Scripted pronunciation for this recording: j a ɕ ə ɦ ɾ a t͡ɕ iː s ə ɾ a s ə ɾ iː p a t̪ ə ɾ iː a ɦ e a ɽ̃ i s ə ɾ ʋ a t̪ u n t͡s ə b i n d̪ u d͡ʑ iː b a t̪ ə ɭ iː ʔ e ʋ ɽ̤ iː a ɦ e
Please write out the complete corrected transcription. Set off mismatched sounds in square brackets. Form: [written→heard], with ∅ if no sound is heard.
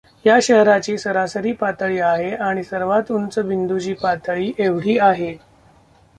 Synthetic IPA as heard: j a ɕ ə ɦ ɾ a t͡ɕ iː s ə ɾ a s ə ɾ iː p a t̪ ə [ɾ→ɭ] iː a ɦ e a ɽ̃ i s ə ɾ ʋ a t̪ u n t͡s ə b i n d̪ u d͡ʑ iː [b→p] a t̪ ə ɭ iː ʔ e ʋ ɽ̤ iː a ɦ e